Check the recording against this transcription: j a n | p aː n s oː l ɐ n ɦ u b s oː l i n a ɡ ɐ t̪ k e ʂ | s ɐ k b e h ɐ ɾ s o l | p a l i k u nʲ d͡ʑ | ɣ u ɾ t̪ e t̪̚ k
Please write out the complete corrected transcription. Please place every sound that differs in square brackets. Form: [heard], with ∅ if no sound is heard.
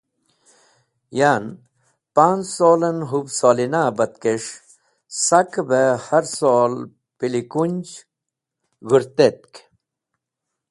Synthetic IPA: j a n | p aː n s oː l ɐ n ɦ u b s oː l i n a [b] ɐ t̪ k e ʂ | s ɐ k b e h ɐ ɾ s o l | p [i] l i k u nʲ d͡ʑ | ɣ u ɾ t̪ e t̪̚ k